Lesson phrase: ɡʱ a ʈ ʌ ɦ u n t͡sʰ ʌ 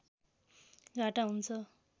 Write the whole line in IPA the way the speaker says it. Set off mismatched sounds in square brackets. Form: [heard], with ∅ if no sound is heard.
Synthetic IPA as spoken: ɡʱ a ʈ [a] ɦ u n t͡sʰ ʌ